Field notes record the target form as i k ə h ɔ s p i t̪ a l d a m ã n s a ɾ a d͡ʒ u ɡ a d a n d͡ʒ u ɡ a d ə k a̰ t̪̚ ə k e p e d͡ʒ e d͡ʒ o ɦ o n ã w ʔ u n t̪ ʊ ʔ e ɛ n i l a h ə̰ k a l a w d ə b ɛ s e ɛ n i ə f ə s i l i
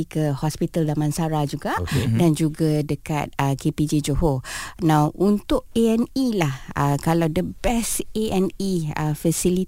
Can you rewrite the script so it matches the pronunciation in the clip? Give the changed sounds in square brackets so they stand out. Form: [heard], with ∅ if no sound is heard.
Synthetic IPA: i k ə h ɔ s p i t̪ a l d a m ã n s a ɾ a d͡ʒ u ɡ a d a n d͡ʒ u ɡ a d ə k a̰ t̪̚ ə k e p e d͡ʒ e d͡ʒ o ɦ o n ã w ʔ u n t̪ ʊ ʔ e ɛ n i l a h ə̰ k a l a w d ə b ɛ s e ɛ n i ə f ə s i l i